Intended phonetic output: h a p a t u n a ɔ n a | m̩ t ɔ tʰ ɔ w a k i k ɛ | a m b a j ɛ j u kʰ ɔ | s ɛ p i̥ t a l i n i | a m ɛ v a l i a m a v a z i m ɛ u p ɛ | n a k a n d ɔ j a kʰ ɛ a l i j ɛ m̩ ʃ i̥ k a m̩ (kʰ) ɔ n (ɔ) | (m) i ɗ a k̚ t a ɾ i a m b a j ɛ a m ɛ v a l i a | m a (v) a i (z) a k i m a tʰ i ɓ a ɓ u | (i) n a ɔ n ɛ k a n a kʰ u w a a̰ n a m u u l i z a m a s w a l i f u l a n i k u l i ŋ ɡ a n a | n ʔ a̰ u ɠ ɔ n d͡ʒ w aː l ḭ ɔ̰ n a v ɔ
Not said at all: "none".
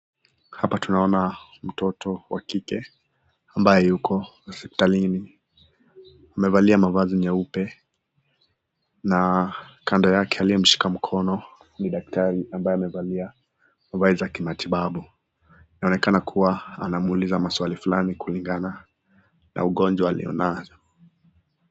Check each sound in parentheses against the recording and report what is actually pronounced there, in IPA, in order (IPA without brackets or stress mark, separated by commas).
kʰ, ɔ, n, v, z, i